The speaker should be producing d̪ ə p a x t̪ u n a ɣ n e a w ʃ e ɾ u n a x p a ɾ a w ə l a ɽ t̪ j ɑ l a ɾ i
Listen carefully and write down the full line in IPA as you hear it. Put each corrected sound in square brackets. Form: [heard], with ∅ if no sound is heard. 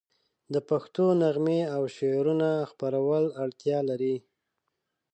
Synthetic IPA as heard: d̪ ə p a x t̪ [o] n a ɣ [m] e a w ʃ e ɾ u n a x p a ɾ a w ə l a ɽ t̪ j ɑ l a ɾ i